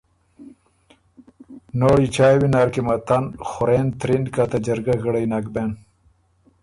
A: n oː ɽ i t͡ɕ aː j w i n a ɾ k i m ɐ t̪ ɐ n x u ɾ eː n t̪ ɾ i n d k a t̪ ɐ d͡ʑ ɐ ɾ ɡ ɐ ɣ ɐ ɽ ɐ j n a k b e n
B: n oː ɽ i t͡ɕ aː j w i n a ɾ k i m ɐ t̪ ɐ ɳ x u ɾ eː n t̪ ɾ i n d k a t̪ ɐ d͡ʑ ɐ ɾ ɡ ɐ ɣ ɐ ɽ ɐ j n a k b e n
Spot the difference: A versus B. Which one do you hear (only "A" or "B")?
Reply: A